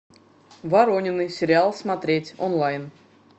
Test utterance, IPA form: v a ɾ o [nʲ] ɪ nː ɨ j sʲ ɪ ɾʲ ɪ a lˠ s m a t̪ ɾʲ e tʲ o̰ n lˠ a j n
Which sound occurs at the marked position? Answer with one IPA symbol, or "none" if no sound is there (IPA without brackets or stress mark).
nʲ